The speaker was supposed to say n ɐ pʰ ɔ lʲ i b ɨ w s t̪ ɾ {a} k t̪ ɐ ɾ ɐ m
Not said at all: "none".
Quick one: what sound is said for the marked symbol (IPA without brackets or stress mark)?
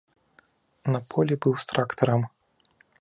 a